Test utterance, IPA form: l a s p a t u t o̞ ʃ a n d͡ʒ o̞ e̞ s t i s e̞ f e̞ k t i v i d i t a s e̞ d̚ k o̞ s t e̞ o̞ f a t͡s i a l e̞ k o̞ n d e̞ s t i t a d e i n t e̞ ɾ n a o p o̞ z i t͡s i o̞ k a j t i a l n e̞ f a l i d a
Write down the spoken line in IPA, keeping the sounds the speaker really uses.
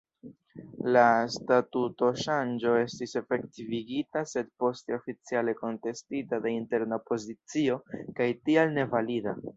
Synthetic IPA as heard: l a s t a t u t o̞ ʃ a n d͡ʒ o̞ e̞ s t i s e̞ f e̞ k t i v i ɡ i t a s e̞ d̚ p o̞ s t e̞ o̞ f i t͡s i a l e̞ k o̞ n t e̞ s t i t a d e i n t e̞ ɾ n a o p o̞ z i t͡s i o̞ k a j t i a l n e̞ v a l i d a